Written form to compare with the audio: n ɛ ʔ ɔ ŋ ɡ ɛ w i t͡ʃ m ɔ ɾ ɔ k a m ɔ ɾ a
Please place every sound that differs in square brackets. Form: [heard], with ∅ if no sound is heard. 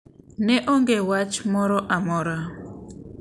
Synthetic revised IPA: n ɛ ʔ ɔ ŋ ɡ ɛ w [a] t͡ʃ m ɔ ɾ ɔ [ʔ] a m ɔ ɾ a